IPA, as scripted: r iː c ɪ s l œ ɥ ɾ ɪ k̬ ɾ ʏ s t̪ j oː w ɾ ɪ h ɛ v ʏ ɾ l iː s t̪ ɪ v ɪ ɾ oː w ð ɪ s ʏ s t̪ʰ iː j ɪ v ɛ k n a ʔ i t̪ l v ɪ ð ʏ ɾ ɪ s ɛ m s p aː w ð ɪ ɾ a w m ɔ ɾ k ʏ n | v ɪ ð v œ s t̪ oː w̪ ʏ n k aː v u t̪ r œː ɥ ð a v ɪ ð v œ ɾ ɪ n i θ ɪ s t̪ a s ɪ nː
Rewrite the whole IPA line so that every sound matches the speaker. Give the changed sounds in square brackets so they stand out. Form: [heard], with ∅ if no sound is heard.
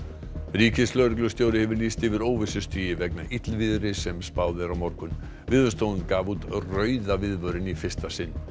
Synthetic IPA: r iː c ɪ s l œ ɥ ɾ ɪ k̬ [l] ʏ s t̪ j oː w ɾ ɪ h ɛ v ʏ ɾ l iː s t̪ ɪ v ɪ ɾ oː w [v] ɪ s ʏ s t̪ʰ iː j ɪ v ɛ k n a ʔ i t̪ l v ɪ ð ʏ ɾ ɪ s ɛ m s p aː w ð ɪ ɾ a w m ɔ ɾ k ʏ n | v ɪ ð v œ s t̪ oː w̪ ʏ n k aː v u t̪ r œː ɥ ð a v ɪ ð v œ ɾ ɪ n i [f] ɪ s t̪ a s ɪ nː

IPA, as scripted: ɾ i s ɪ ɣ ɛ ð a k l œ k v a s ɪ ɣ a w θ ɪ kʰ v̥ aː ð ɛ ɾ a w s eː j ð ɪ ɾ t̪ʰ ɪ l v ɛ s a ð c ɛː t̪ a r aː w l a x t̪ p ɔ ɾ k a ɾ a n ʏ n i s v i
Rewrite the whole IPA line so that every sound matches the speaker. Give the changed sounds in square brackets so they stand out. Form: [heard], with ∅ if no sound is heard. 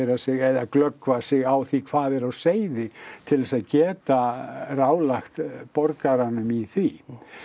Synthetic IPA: ɾ [a] s ɪ ɣ ɛ ð a k l œ k v a s ɪ ɣ a w θ [i] kʰ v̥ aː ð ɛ ɾ a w s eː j ð ɪ [∅] t̪ʰ ɪ l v ɛ s a ð c ɛː t̪ a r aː w l a x t̪ p ɔ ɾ k a ɾ a n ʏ [m] i [θ] v i

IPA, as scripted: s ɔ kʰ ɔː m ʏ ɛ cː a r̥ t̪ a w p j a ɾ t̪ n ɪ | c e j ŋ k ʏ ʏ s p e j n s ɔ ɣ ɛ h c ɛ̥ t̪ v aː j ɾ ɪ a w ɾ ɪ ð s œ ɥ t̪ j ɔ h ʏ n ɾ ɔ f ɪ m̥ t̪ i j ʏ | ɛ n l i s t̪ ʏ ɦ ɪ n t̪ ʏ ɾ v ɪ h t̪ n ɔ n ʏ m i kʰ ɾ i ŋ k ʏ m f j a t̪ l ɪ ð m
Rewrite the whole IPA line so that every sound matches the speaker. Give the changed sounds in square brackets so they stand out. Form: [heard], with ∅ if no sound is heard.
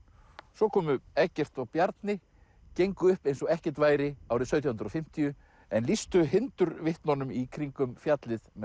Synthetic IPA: s ɔ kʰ ɔː m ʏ ɛ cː [ɛ] r̥ t̪ a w p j a ɾ t̪ n ɪ | c e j ŋ k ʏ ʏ [h] p e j n s ɔ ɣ ɛ h c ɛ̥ t̪ v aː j ɾ ɪ a w ɾ ɪ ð s œ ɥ t̪ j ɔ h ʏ n ɾ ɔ f ɪ m̥ t̪ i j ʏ | ɛ n l i s t̪ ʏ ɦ ɪ n t̪ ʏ ɾ v ɪ h t̪ n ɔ n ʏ m i kʰ ɾ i ŋ k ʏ m f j a t̪ l ɪ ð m

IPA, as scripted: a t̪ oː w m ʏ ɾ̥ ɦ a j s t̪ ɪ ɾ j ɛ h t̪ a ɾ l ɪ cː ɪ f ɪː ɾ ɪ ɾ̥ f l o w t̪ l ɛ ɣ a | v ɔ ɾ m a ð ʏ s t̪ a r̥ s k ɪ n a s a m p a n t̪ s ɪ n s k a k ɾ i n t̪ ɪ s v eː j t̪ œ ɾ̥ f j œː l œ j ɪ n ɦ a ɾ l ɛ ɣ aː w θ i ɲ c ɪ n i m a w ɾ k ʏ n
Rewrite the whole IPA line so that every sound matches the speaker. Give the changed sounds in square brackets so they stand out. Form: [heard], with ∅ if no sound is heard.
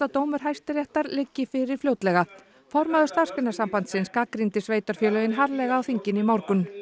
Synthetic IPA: a t̪ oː w m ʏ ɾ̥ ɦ a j s t̪ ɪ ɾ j ɛ h t̪ a ɾ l ɪ cː ɪ f [ɪ] ɾ ɪ ɾ̥ f l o w t̪ l ɛ ɣ a | [f] ɔ ɾ m a ð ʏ s t̪ a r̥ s k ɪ n a s a m p a n t̪ s ɪ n s k a k ɾ i n t̪ ɪ s v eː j t̪ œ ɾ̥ f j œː l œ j ɪ n ɦ a ɾ l ɛ ɣ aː w θ i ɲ c ɪ n i m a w ɾ k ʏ n

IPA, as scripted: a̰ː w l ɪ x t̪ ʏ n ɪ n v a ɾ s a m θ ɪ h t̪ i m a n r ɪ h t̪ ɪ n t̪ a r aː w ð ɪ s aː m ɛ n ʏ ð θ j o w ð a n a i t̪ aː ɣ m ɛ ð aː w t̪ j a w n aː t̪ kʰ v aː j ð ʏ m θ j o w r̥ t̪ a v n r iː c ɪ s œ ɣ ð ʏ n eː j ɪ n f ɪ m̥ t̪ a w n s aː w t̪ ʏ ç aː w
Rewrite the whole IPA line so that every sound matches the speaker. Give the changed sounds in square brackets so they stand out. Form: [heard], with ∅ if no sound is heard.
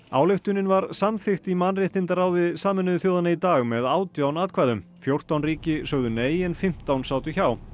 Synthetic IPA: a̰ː w l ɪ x t̪ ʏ n ɪ n v a ɾ s a m θ ɪ [x] t̪ i m a n r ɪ h t̪ ɪ n t̪ a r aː w ð ɪ s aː m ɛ n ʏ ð θ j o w ð a n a i t̪ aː ɣ m ɛ ð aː w t̪ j a w n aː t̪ kʰ v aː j ð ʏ m [f] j o w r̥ t̪ a [w] n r iː c ɪ s œ ɣ ð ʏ n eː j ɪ n f ɪ m̥ t̪ a w n s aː w t̪ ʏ ç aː w

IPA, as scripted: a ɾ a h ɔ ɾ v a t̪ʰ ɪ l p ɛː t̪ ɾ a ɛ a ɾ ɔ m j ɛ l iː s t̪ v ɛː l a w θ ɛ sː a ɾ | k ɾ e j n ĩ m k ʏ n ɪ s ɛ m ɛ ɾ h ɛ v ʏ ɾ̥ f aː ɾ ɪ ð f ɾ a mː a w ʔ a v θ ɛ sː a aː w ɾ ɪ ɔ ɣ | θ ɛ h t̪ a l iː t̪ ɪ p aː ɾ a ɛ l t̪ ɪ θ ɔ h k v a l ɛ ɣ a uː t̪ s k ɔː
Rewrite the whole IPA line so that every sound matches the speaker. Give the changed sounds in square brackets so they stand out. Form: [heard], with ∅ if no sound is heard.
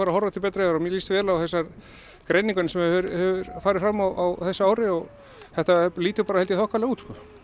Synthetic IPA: a ɾ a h ɔ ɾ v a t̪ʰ ɪ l p ɛː t̪ ɾ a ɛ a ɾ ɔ m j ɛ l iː s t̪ v ɛː l a w θ ɛ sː a ɾ | k ɾ e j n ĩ [ŋ] k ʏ n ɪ s ɛ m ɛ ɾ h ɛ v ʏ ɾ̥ f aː ɾ ɪ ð f ɾ a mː a w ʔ a [w] θ ɛ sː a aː w ɾ ɪ ɔ ɣ | θ ɛ h t̪ a l iː t̪ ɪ p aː ɾ a ɛ l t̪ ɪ θ ɔ h k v a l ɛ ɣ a uː t̪ s k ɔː

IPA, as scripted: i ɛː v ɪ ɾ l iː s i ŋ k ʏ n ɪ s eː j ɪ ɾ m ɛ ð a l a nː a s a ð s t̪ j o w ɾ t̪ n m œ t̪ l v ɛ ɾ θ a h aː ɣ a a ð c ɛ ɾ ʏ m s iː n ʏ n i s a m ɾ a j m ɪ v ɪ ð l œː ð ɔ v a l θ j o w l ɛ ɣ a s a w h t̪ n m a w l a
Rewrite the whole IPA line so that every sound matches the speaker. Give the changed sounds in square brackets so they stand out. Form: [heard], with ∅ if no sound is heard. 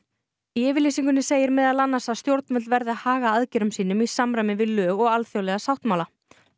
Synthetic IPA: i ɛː v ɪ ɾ l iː s i ŋ k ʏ n ɪ s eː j ɪ ɾ m ɛ ð a l a nː a s a ð s t̪ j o w ɾ t̪ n m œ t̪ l v ɛ ɾ [ð] a h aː ɣ a a ð c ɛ ɾ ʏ m s iː n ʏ [m] i s a m ɾ a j m ɪ v ɪ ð l œː [ɣ] ɔ [ɣ] a l θ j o w l ɛ ɣ a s a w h t̪ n m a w l a

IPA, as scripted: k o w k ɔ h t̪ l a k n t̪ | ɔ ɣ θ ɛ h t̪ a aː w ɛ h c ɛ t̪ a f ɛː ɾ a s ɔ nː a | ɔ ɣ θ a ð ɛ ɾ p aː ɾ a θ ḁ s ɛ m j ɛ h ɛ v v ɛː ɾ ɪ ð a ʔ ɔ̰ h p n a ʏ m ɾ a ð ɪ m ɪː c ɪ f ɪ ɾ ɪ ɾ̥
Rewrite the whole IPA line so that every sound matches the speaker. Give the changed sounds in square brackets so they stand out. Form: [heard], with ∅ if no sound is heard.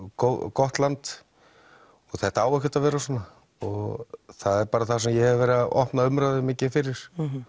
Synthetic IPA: k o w k ɔ h t̪ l a [∅] n t̪ | ɔ ɣ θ ɛ h t̪ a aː w ɛ h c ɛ t̪ a [v] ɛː ɾ a s ɔ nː a | ɔ ɣ θ a ð ɛ ɾ p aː ɾ a θ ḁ s ɛ m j ɛ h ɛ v v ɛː ɾ ɪ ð a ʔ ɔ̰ h p n a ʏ m ɾ a ð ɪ m ɪː c ɪ f ɪ ɾ ɪ ɾ̥

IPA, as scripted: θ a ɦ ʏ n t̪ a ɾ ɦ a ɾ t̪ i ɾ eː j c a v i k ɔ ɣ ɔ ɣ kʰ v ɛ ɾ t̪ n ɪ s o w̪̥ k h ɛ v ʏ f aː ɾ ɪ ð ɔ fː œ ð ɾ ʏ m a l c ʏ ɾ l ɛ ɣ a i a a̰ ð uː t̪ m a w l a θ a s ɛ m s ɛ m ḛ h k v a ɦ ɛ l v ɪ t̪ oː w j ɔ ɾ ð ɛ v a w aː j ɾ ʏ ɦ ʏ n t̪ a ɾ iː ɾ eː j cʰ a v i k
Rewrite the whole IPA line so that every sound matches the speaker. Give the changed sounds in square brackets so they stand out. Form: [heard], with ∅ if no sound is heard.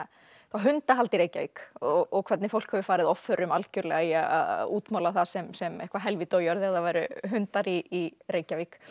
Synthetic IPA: θ a ɦ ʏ n t̪ a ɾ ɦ a [l] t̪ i ɾ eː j c a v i k ɔ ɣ ɔ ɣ kʰ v ɛ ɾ t̪ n ɪ [f] o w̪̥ k h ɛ v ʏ f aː ɾ ɪ ð ɔ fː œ [∅] ɾ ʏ m a l c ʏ ɾ l ɛ ɣ a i a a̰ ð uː t̪ m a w l a θ a s ɛ m s ɛ m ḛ h k v a ɦ ɛ l v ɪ t̪ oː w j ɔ ɾ ð ɛ [ð] a [v] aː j ɾ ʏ ɦ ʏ n t̪ a ɾ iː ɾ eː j [c] a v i k

